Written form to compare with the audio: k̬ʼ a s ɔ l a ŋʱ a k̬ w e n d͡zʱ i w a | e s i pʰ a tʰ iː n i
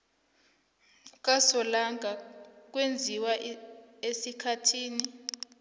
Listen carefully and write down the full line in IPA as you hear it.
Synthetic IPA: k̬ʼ a s ɔ l a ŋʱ a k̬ w e n d͡zʱ i w a | e s i kʰ a tʰ iː n i